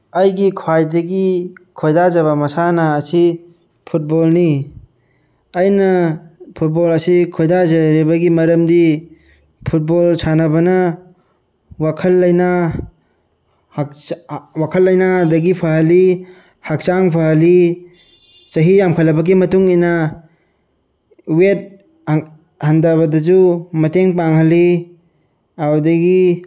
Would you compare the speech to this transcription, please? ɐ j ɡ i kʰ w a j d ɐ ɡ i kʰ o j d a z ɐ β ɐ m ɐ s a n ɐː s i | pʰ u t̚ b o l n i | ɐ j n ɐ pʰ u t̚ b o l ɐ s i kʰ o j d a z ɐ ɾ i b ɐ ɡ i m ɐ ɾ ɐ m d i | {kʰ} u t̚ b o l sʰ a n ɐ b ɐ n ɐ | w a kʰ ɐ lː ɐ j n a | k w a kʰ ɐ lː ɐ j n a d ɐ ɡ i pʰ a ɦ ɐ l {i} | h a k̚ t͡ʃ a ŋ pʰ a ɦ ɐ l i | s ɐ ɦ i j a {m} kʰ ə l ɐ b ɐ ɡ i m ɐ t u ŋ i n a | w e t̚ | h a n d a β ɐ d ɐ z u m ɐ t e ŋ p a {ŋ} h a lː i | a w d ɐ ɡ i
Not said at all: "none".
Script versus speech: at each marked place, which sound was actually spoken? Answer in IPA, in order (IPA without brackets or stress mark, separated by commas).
pʰ, i, m, ŋ